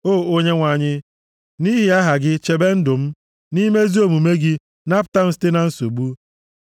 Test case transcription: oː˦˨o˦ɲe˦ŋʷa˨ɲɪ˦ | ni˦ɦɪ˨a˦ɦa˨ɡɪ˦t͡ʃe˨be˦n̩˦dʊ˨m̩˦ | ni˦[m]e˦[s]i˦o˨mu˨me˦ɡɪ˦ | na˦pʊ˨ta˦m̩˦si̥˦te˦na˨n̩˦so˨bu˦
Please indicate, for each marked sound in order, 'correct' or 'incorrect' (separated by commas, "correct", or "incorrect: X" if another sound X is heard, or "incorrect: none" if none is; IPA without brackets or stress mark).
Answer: correct, incorrect: z